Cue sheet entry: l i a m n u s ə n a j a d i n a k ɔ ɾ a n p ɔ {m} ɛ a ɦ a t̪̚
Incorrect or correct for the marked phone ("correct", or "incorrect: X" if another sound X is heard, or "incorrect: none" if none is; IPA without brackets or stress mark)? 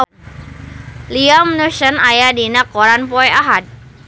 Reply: incorrect: none